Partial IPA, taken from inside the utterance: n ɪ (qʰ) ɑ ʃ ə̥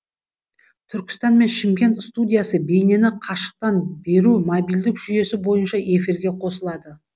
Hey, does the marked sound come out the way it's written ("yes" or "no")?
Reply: yes